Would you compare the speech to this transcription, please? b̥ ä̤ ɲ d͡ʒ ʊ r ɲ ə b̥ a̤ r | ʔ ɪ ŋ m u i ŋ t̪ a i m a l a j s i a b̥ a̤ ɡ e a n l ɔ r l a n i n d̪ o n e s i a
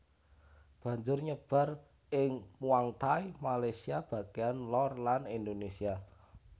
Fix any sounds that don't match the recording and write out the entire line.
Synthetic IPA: b̥ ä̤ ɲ d͡ʒ ʊ r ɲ ə b̥ a̤ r | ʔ ɪ ŋ m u a ŋ t̪ a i m a l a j s i a b̥ a̤ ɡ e a n l ɔ r l a n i n d̪ o n e s i a